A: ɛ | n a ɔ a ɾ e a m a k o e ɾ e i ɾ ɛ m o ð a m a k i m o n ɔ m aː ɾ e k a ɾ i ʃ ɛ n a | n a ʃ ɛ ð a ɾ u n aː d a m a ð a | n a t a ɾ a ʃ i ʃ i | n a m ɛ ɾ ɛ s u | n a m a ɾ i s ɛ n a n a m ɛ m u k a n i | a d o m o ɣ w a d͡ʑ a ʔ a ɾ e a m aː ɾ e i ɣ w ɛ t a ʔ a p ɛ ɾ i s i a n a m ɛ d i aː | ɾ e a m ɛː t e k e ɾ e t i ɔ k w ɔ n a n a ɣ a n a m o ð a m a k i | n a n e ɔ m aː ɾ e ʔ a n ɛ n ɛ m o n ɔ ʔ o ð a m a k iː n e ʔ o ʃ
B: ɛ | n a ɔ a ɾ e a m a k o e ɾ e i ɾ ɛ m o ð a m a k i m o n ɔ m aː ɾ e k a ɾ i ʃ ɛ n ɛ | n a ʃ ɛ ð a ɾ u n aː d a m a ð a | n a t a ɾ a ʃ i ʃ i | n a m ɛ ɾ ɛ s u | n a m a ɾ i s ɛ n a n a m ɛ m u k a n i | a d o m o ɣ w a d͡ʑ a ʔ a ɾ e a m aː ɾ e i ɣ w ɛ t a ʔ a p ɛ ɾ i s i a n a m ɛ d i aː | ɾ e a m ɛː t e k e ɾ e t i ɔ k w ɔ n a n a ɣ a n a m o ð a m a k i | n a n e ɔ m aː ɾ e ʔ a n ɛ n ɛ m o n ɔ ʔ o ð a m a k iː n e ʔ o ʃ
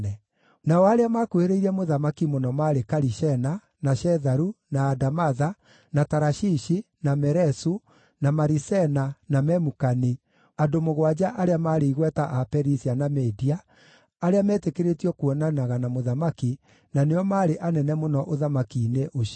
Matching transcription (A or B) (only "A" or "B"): A